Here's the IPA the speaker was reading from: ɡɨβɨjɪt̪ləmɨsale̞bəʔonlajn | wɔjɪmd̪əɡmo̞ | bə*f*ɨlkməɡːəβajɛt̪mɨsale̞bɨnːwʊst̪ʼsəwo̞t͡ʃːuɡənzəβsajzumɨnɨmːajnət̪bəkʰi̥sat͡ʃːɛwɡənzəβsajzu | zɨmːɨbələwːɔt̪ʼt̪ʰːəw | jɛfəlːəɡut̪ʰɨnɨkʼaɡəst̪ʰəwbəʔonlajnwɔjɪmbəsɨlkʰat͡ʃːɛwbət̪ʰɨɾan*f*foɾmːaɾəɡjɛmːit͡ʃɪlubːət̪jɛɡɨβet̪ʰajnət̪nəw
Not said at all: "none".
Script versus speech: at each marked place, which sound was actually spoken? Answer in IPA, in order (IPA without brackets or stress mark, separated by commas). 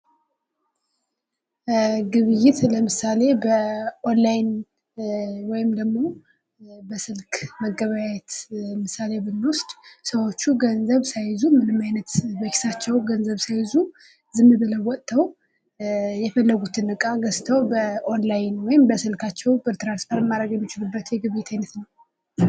s, s